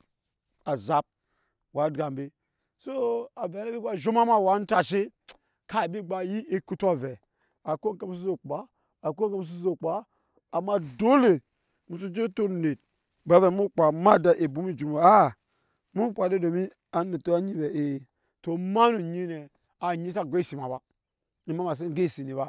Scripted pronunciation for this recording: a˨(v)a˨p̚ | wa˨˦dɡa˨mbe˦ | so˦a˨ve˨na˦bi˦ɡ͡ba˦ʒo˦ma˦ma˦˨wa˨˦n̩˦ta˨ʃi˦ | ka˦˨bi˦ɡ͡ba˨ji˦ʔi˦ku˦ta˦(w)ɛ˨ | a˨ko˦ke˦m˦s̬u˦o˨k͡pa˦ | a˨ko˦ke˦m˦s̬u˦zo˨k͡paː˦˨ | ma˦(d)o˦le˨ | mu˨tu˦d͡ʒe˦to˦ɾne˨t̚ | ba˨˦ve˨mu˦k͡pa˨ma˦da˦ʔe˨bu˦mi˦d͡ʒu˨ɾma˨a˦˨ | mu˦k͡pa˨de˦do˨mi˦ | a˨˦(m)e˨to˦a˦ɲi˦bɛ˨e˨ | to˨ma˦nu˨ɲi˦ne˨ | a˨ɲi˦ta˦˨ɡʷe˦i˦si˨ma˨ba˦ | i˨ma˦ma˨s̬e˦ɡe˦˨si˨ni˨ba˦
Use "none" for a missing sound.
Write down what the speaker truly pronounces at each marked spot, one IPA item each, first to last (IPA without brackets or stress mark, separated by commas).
z, v, d, n